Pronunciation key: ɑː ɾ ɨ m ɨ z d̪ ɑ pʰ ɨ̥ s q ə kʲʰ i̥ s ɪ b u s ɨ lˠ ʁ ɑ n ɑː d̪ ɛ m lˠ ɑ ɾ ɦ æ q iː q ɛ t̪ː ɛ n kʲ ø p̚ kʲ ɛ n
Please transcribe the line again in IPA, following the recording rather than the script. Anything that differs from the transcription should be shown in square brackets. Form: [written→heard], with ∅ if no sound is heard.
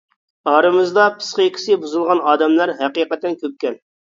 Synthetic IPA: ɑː ɾ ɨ m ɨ z d̪ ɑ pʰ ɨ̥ s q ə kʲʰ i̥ s ɪ b u [s→z] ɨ lˠ ʁ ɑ n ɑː d̪ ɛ m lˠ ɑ ɾ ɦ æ q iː q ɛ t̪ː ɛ n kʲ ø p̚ kʲ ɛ n